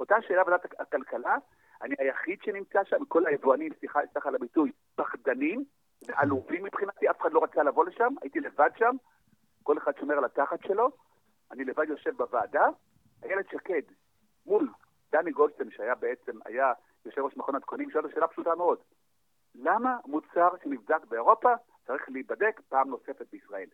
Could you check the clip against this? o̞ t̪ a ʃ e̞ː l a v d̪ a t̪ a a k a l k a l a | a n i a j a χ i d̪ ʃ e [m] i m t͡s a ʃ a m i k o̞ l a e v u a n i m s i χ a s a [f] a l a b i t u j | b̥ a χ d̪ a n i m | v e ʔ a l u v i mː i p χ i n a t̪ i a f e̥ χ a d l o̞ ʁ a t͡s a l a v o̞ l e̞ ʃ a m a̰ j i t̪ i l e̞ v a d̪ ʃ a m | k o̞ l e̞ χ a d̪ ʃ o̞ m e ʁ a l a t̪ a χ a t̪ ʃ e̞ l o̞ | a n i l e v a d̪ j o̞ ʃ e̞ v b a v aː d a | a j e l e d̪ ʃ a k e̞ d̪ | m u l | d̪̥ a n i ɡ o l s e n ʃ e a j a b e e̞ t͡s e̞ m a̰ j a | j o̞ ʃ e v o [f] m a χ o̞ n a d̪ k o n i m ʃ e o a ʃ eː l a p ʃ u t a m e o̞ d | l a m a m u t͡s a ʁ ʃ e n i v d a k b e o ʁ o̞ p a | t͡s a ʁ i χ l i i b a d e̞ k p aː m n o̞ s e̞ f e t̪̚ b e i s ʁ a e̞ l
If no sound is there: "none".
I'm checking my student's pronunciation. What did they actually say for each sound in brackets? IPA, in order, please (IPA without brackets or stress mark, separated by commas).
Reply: n, χ, ʃ